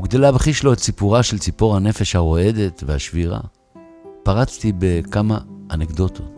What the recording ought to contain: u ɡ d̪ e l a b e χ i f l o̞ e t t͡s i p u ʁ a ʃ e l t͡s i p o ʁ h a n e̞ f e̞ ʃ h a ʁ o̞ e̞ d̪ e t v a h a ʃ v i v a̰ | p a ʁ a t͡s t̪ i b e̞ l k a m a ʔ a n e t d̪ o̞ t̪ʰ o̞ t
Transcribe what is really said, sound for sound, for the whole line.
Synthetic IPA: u ɡ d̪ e l a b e χ i ʃ l o̞ e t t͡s i p u ʁ a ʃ e l t͡s i p o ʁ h a n e̞ f e̞ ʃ h a ʁ o̞ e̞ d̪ e t v e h a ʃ v i ʁ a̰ | p a ʁ a t͡s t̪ i b e̞ k a m a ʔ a n e k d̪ o̞ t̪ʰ o̞ t